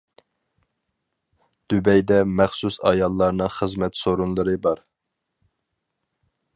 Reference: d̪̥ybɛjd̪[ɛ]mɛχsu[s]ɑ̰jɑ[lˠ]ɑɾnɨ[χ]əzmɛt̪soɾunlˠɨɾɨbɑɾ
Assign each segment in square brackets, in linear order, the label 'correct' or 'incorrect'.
correct, correct, incorrect: lˠː, correct

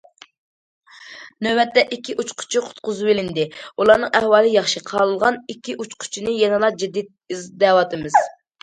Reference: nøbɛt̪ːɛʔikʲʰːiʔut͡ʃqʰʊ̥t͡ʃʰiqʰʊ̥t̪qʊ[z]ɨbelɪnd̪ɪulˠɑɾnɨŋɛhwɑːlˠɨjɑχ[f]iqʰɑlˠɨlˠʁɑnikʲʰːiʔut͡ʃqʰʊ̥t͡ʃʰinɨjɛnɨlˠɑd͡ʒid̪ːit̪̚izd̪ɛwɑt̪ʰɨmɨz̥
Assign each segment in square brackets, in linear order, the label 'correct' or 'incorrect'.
correct, incorrect: ʃ

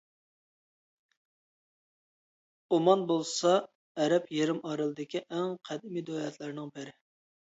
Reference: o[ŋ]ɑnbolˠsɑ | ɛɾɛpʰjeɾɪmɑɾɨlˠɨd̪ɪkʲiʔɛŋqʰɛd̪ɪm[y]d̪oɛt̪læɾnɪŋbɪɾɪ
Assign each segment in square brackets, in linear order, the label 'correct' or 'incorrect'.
incorrect: m, incorrect: i

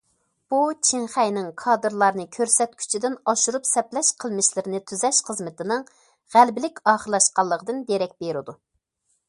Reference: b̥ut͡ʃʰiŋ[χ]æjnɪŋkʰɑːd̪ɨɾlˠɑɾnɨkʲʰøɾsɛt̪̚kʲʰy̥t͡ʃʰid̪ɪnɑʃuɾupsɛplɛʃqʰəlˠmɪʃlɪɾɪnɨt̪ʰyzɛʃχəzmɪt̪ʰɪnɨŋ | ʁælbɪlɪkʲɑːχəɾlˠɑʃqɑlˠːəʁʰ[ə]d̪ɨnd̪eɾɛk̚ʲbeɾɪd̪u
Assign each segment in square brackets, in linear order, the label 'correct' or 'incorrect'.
correct, correct

